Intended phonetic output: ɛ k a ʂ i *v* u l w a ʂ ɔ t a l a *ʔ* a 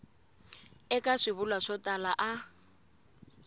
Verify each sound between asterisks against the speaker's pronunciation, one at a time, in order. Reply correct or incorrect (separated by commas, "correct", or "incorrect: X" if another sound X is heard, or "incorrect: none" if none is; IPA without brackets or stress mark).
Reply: incorrect: β, correct